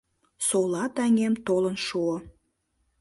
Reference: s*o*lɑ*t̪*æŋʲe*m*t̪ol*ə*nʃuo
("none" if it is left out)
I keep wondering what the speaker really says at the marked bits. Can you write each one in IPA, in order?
o, t̪, m, ə

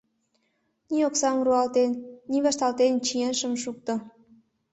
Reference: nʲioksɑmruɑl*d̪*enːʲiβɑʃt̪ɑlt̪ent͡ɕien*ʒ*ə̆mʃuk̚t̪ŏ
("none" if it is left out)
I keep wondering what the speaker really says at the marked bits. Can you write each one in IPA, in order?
t̪, ʃ

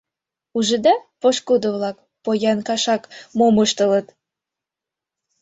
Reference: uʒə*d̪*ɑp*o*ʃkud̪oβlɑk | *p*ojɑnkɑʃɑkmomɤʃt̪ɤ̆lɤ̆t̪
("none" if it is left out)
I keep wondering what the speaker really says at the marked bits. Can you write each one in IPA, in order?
d̪, o, p

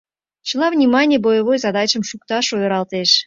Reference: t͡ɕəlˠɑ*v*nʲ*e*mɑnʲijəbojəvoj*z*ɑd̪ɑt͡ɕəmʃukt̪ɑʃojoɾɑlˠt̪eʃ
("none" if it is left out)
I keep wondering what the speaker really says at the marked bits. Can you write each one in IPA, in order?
v, i, z

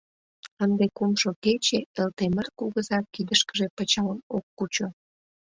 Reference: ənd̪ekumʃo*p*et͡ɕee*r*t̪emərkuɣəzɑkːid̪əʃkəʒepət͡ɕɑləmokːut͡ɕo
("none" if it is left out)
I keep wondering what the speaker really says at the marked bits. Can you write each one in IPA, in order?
k, l

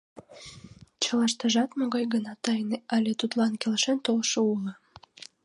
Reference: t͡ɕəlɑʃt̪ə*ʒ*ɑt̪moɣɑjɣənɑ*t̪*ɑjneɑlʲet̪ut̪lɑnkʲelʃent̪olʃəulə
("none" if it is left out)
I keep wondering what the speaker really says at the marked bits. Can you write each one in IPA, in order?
ʒ, t̪

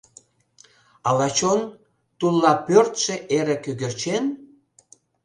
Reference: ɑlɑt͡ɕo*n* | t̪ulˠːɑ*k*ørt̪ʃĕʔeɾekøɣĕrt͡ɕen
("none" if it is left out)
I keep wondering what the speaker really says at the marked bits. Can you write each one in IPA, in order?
n, p

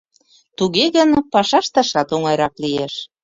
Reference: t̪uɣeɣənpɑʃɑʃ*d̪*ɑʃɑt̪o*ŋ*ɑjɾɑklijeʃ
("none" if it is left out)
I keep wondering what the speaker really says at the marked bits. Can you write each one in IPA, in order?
t̪, ŋ

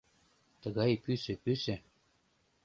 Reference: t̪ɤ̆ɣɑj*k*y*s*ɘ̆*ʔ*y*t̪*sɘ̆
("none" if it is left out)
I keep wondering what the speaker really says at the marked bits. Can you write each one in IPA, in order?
p, s, p, none

